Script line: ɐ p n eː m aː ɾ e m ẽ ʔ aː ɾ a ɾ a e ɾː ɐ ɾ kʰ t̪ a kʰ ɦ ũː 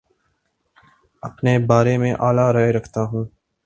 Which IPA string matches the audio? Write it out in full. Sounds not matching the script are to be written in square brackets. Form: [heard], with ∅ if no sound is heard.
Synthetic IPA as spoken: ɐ p n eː [b] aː ɾ e m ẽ ʔ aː [l] a ɾ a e [ɾ] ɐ [∅] kʰ t̪ a [∅] ɦ ũː